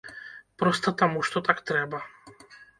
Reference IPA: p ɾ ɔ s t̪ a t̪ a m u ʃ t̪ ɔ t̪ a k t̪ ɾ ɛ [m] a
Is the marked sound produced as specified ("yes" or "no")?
no